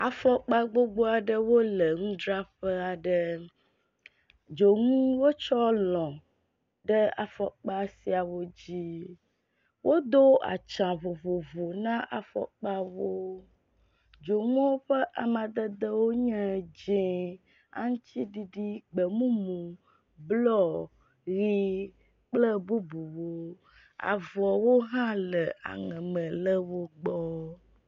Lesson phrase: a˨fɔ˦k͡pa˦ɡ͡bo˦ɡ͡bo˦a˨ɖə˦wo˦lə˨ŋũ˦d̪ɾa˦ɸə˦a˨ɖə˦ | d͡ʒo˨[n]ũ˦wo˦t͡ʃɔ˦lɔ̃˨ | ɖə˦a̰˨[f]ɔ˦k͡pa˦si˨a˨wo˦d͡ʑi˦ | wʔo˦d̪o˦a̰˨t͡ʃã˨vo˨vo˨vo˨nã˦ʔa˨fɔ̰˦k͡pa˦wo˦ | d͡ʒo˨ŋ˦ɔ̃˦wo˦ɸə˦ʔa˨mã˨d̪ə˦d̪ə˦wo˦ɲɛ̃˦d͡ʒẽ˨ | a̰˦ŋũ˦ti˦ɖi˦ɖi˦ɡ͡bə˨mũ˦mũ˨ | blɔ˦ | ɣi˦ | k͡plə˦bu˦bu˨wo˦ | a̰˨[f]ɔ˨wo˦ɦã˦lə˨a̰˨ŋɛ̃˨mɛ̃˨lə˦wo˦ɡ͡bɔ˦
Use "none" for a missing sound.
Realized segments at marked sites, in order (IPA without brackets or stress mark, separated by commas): ŋ, f, v